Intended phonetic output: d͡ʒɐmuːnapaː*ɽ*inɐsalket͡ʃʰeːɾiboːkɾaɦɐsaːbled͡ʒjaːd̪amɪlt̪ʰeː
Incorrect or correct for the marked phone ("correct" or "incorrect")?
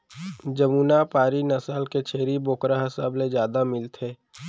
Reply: incorrect